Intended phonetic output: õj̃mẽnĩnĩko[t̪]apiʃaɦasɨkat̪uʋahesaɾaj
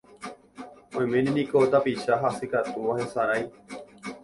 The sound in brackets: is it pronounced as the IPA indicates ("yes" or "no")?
yes